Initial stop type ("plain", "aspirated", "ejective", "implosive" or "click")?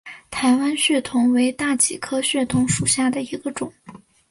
aspirated